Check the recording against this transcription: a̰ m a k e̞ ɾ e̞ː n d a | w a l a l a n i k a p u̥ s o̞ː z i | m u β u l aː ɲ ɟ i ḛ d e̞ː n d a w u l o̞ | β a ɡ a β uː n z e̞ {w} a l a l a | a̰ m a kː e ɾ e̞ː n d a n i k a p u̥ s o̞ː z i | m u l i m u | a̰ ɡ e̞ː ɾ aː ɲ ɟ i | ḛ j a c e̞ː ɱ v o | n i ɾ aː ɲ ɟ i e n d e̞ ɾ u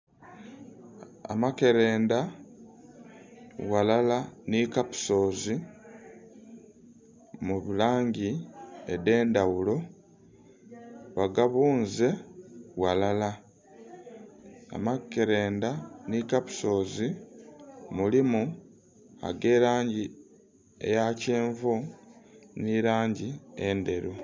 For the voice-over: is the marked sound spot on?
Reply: yes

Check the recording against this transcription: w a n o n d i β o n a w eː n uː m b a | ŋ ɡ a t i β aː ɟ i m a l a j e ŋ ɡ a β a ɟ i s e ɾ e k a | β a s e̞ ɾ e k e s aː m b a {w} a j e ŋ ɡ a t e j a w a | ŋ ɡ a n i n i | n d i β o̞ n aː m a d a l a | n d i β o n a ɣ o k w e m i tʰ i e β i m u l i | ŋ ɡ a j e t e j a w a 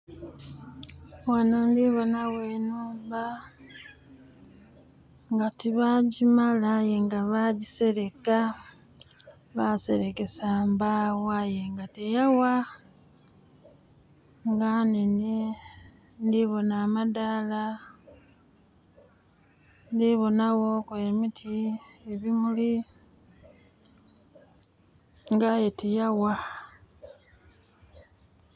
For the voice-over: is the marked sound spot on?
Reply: yes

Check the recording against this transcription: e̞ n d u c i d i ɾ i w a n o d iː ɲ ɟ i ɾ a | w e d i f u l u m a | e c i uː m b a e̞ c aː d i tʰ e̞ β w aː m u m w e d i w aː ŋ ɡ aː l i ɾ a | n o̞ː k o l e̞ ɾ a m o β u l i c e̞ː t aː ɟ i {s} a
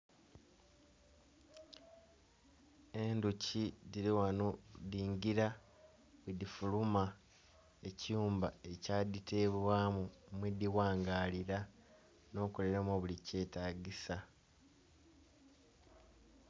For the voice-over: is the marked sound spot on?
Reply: yes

